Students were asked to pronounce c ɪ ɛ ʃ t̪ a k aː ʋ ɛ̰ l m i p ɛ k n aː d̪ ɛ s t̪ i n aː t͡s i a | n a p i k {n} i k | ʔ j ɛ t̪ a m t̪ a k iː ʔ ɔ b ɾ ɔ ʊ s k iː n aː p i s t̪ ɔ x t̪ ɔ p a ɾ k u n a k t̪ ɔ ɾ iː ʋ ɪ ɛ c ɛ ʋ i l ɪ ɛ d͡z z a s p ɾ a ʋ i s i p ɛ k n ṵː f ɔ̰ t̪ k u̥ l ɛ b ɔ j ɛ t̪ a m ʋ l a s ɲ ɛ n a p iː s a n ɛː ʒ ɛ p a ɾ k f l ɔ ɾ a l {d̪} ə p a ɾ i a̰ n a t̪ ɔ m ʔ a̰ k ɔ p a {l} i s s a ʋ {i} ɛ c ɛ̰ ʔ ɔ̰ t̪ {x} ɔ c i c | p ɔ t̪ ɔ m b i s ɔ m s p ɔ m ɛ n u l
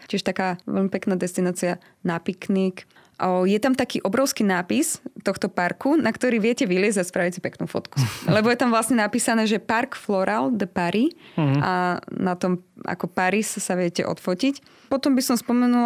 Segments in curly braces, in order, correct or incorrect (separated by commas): correct, correct, incorrect, incorrect, incorrect